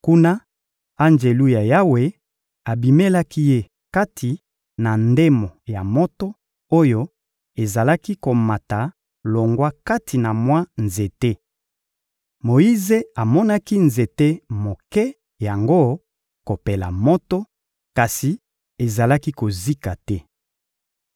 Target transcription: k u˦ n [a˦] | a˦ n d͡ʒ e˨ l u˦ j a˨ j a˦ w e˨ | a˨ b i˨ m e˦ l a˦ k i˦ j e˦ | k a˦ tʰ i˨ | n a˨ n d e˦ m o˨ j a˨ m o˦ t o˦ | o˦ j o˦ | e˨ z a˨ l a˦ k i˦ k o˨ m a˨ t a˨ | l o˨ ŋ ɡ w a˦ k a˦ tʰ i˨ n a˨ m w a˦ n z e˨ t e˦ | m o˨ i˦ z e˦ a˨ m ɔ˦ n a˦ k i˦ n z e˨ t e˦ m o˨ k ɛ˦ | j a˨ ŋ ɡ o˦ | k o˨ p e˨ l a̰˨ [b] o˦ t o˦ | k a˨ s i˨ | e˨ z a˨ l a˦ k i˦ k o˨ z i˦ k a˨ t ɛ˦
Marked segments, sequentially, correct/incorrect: correct, incorrect: m

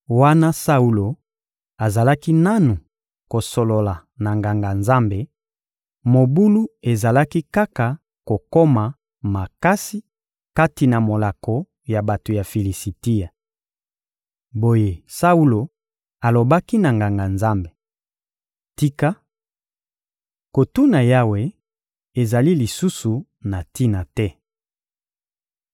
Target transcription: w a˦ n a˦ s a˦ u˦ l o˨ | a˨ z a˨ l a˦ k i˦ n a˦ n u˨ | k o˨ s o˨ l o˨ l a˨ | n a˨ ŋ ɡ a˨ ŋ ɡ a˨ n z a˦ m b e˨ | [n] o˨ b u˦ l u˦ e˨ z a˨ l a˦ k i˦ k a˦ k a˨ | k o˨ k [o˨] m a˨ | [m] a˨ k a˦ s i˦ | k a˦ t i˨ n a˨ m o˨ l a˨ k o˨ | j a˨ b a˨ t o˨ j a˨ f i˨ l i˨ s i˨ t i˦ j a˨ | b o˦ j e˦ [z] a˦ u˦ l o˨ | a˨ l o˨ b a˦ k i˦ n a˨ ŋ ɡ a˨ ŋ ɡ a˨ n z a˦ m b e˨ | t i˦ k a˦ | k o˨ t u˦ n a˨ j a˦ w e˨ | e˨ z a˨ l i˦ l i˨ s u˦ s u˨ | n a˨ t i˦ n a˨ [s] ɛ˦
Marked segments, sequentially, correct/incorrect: incorrect: m, incorrect: o˦, correct, incorrect: s, incorrect: t

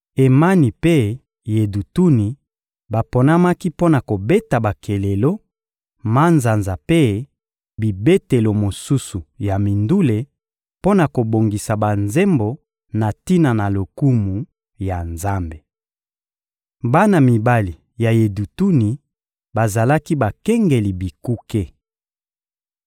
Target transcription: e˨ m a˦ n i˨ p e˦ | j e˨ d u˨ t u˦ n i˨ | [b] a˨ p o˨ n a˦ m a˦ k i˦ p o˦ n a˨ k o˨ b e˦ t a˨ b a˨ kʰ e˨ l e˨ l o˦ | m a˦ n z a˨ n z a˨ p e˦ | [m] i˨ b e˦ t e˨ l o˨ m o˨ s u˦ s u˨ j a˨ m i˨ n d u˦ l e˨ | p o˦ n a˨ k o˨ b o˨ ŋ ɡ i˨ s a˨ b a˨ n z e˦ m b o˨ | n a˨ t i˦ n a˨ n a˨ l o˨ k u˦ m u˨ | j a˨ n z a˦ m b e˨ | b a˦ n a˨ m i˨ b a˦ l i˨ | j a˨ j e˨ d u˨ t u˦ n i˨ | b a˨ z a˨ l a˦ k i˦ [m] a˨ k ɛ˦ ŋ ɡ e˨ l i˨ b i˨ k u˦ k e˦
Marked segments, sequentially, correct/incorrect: correct, incorrect: b, incorrect: b

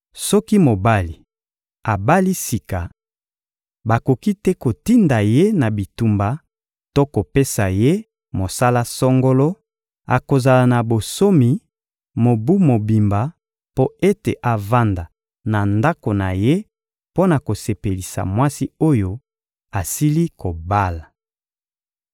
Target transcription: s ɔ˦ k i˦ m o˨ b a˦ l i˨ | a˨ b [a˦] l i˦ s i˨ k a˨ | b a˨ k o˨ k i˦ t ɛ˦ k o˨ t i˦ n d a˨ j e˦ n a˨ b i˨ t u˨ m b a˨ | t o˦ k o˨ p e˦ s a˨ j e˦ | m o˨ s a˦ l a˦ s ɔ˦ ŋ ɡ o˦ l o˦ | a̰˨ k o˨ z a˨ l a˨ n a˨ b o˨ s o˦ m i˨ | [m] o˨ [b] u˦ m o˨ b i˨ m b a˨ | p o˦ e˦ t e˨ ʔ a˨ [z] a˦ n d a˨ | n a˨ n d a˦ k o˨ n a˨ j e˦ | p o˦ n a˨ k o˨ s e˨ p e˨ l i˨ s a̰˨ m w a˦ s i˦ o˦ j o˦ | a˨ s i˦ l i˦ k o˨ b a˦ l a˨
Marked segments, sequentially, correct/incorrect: correct, correct, correct, incorrect: v

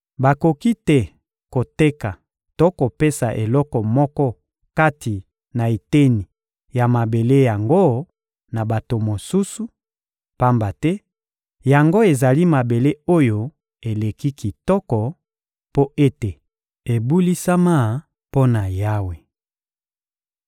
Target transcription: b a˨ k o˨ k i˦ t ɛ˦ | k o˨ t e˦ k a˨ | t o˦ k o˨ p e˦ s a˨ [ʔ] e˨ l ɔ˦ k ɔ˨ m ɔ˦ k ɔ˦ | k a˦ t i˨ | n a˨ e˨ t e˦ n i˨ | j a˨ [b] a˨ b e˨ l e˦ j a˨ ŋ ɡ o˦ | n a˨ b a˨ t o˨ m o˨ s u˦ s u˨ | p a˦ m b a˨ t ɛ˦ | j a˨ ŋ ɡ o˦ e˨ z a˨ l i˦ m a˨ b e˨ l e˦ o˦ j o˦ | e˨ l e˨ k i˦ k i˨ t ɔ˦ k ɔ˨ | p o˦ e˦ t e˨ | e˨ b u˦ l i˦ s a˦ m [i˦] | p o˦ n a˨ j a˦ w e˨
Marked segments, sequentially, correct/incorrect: correct, incorrect: m, incorrect: a˦

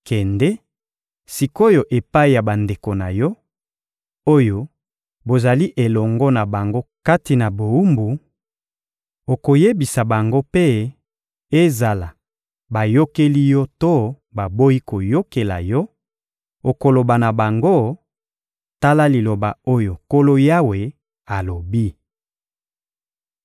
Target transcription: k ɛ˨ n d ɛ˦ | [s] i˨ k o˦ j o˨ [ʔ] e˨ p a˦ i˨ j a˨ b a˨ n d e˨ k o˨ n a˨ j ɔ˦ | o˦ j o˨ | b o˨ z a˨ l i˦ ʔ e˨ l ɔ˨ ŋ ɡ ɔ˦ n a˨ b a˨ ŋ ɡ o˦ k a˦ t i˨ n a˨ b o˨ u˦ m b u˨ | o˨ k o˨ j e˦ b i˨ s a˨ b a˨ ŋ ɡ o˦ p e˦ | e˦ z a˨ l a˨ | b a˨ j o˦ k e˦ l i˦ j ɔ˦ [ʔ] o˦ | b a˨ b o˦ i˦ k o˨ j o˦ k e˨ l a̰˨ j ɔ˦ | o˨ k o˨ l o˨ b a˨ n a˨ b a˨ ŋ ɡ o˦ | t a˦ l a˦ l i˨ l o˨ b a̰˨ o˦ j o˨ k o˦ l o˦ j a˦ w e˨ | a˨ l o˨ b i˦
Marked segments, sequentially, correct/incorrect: correct, correct, incorrect: t

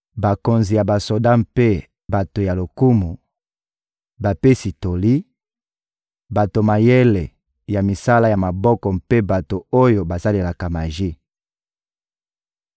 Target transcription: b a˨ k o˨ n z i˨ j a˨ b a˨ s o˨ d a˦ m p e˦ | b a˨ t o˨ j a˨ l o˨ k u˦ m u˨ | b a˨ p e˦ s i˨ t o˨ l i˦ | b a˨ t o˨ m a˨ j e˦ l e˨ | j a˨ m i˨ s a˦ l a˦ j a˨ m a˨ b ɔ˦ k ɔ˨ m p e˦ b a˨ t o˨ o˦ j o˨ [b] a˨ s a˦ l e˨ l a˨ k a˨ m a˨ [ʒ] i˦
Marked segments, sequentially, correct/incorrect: correct, correct

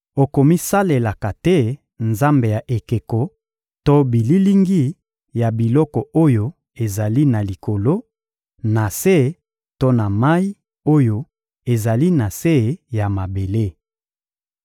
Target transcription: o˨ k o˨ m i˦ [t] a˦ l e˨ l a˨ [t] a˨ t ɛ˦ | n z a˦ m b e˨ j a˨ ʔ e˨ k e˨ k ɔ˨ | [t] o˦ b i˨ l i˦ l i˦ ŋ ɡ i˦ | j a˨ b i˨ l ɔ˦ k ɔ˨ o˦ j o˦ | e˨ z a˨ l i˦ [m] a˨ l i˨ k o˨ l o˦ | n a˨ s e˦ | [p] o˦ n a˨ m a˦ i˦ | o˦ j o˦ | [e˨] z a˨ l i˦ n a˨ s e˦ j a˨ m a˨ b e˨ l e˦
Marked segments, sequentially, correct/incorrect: incorrect: s, incorrect: k, correct, incorrect: n, incorrect: t, correct

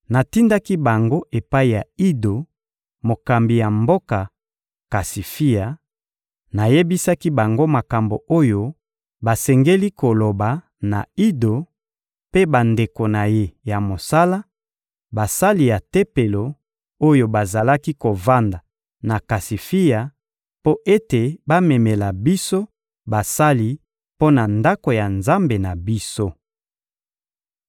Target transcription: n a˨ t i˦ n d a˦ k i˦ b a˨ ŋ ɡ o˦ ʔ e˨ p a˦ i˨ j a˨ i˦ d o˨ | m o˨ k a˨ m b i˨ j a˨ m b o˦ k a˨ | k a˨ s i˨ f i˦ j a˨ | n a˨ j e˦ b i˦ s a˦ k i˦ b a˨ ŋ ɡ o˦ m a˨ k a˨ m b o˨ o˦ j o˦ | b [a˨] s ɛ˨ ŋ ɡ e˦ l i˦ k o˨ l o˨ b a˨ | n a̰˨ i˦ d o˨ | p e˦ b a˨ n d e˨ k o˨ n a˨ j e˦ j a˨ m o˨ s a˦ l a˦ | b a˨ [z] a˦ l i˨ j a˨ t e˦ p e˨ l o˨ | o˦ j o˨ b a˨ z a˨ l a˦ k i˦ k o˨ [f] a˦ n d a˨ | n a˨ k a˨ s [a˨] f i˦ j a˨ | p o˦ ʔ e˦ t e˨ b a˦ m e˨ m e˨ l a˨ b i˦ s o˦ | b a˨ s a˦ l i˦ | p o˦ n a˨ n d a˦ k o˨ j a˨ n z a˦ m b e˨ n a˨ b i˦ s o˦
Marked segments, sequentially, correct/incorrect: correct, incorrect: s, incorrect: v, incorrect: i˨

